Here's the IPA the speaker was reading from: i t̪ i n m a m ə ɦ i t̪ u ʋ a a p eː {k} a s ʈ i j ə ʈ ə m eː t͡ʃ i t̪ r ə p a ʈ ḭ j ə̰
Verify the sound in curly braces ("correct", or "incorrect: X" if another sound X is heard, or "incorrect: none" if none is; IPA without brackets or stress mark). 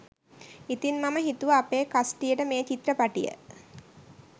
correct